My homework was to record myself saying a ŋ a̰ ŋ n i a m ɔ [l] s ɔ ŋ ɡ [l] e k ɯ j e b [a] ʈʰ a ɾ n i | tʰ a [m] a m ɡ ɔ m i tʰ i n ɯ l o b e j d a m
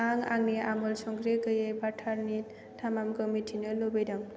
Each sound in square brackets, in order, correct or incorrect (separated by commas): correct, incorrect, correct, correct